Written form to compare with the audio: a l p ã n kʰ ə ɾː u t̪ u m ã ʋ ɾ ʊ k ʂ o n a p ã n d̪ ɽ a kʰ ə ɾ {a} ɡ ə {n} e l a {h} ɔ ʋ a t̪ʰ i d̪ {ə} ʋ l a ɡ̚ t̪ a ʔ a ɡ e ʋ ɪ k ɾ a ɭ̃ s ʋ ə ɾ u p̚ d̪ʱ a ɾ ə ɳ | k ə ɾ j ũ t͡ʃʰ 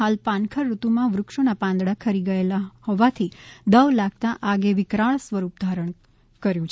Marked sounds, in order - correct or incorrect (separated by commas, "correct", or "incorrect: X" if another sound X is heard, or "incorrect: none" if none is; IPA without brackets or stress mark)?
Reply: incorrect: i, incorrect: none, correct, correct